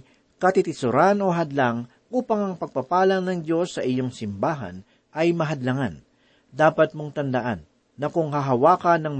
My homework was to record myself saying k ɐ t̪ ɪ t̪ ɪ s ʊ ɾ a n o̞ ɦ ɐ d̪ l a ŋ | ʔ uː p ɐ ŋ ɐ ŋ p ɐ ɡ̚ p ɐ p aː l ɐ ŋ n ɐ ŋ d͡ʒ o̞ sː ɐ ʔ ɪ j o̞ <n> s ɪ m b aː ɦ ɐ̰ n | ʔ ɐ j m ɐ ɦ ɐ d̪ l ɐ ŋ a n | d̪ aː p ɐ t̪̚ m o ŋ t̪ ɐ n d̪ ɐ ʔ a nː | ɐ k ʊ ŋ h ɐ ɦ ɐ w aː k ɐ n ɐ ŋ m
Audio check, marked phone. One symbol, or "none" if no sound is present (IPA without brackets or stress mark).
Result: ŋ